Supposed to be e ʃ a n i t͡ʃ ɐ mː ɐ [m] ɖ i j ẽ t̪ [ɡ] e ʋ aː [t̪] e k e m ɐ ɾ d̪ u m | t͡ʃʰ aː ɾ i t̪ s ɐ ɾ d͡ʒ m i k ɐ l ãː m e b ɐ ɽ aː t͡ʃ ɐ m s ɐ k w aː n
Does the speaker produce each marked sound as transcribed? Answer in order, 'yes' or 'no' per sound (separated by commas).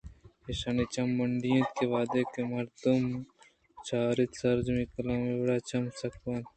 no, no, no